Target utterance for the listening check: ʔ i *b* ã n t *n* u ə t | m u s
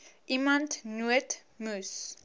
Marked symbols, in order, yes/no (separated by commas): no, yes